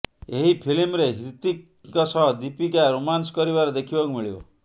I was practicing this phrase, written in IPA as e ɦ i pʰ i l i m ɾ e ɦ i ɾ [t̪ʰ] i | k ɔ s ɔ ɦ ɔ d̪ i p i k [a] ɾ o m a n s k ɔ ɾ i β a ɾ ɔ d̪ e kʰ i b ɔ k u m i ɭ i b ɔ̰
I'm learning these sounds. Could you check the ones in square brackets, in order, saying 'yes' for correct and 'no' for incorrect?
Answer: no, yes

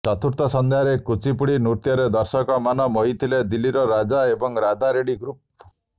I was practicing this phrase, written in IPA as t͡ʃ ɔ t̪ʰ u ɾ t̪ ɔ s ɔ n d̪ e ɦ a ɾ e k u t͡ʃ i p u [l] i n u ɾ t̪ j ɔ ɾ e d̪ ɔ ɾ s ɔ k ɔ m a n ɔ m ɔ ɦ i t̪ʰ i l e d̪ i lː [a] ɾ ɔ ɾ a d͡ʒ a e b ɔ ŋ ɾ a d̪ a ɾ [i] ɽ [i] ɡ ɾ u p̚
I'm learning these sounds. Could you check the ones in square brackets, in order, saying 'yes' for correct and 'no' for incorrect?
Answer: no, no, no, yes

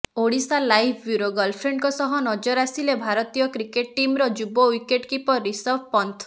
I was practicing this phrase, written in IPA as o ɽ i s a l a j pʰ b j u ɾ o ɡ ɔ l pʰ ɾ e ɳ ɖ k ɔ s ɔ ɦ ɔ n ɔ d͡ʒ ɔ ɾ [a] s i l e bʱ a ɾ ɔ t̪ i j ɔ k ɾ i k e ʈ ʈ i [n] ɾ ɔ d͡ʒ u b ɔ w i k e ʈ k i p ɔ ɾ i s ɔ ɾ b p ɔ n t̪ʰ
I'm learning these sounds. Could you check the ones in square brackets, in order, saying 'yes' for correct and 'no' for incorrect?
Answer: yes, no

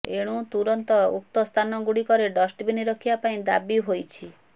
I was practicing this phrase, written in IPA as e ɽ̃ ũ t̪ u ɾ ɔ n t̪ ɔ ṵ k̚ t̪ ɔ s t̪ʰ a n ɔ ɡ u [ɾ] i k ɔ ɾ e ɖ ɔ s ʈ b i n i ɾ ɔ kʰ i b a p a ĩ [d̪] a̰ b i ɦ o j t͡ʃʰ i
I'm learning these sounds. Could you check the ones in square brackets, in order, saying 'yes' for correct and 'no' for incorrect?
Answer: no, yes

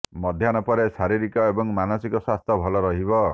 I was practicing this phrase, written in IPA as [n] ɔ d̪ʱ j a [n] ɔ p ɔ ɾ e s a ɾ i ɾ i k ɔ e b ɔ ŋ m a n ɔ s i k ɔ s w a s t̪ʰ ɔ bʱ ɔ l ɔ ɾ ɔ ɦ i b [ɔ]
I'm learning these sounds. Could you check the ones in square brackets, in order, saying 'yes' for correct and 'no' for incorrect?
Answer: no, yes, yes

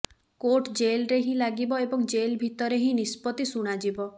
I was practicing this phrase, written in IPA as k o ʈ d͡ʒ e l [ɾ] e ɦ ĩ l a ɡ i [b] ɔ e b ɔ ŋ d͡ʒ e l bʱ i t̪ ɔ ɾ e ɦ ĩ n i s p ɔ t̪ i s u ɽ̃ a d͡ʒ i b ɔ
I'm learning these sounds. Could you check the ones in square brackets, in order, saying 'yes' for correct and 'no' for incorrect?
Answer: yes, yes

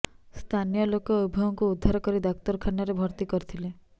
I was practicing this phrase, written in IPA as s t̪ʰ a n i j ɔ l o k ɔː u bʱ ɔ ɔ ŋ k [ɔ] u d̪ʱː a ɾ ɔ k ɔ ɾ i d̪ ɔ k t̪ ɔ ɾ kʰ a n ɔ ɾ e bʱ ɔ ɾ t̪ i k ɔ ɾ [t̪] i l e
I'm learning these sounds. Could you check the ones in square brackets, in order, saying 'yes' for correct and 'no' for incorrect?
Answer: no, no

